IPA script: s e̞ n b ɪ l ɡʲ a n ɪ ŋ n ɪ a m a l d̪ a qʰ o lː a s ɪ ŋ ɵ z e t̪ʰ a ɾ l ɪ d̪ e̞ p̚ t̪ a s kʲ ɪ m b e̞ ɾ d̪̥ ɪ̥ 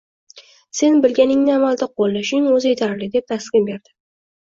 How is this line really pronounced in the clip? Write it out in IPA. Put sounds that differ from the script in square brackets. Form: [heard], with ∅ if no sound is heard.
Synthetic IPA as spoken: s e̞ n b ɪ l ɡʲ a n ɪ ŋ n ɪ a m a l d̪ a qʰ o lː a [ʃ] ɪ ŋ ɵ z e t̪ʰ a ɾ l ɪ d̪ e̞ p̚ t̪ a s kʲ ɪ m b e̞ ɾ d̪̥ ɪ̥